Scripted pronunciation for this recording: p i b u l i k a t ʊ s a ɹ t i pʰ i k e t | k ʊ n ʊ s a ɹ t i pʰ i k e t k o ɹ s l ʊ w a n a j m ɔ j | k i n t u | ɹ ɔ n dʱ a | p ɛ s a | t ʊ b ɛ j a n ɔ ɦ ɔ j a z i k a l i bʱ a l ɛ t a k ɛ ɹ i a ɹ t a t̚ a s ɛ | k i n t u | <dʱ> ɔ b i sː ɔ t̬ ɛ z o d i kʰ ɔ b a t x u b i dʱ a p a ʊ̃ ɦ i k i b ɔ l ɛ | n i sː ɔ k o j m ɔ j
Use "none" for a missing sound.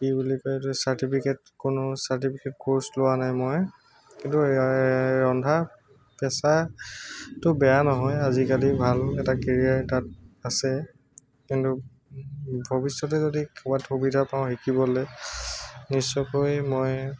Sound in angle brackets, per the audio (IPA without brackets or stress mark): bʱ